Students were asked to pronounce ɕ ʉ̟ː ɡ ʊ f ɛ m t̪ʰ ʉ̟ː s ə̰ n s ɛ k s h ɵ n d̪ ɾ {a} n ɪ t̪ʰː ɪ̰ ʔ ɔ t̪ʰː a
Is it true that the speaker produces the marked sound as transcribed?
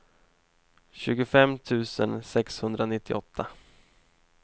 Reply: yes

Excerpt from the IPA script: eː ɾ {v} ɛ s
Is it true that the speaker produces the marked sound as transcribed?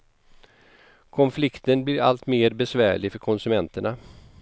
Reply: no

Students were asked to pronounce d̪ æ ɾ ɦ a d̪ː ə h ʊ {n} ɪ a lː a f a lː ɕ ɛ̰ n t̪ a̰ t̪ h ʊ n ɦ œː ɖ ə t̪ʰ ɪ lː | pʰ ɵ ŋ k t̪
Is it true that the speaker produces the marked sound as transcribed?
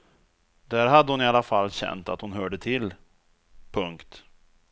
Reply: yes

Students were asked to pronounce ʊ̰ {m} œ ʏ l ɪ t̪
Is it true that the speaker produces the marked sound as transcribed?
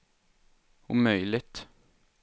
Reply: yes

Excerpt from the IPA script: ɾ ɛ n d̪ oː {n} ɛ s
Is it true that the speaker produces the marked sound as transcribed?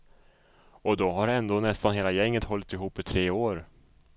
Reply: yes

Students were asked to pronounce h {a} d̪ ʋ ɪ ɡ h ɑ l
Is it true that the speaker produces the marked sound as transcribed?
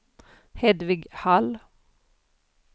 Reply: no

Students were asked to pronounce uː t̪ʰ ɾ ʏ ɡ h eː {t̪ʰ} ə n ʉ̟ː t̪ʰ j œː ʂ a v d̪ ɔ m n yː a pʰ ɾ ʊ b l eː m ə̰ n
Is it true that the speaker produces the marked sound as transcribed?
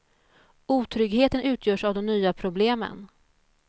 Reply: no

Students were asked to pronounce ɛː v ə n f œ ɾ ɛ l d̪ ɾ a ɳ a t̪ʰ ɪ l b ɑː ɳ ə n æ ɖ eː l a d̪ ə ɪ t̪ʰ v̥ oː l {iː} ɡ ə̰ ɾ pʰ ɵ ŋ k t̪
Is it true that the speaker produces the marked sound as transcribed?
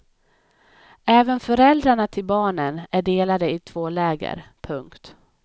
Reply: no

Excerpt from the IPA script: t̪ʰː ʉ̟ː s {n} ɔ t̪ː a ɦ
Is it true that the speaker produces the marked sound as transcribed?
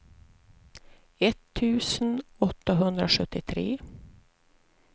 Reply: yes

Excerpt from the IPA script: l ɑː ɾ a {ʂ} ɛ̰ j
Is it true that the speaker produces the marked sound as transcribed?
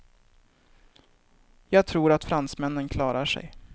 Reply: yes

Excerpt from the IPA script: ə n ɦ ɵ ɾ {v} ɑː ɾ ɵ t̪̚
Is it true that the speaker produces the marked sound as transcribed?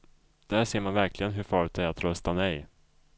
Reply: no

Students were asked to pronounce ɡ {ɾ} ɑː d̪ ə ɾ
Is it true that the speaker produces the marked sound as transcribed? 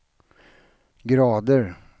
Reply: yes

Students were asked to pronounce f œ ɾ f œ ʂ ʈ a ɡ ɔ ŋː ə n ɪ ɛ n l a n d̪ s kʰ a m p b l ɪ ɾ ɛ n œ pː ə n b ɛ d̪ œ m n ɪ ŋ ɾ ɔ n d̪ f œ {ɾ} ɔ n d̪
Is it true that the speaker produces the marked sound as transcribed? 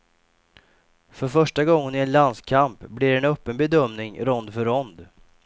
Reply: yes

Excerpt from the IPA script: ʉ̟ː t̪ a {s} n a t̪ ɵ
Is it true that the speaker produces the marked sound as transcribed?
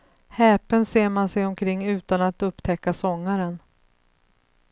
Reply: no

